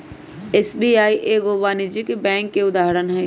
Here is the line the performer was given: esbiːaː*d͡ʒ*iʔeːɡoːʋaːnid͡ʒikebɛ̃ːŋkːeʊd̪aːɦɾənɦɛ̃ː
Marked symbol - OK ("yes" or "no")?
no